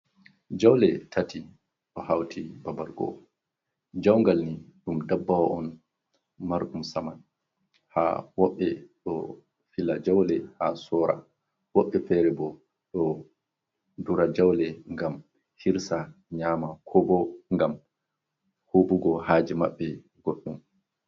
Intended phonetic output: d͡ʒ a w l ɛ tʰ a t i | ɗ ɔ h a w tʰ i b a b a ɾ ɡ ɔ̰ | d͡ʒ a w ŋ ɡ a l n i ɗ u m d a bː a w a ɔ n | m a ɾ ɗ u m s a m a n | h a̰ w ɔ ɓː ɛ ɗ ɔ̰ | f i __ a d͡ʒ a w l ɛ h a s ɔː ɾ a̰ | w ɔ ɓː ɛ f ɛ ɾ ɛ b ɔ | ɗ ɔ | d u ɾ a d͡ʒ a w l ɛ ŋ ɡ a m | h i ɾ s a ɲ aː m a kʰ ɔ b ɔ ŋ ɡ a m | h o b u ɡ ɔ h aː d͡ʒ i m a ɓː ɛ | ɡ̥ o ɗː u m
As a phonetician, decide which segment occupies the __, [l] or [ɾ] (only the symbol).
l